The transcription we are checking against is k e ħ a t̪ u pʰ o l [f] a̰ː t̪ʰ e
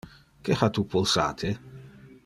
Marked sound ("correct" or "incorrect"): incorrect